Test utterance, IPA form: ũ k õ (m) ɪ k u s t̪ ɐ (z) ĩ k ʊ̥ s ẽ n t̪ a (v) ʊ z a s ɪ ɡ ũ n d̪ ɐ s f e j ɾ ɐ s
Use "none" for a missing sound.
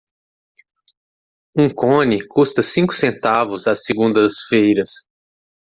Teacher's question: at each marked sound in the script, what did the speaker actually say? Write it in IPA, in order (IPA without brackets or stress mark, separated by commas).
n, s, v